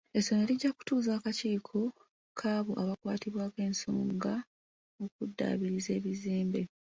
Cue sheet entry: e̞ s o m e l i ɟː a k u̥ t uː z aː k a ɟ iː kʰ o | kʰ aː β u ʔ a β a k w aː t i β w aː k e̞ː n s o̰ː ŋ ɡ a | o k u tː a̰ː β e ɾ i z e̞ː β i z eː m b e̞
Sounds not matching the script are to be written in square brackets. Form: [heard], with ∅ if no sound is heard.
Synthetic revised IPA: e̞ s o [n] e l i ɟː a k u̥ t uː z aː k a [c] iː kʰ o | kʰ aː β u ʔ a β a k w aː t i β w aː k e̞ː n s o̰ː ŋ ɡ a | o k u [dː] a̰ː β [i] ɾ i z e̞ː β i z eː m b e̞